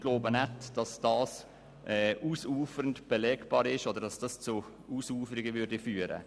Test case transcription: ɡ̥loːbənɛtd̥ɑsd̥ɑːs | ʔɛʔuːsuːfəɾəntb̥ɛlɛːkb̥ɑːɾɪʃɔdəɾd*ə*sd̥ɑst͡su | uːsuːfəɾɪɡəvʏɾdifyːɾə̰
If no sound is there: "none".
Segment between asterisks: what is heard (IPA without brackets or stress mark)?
ɑ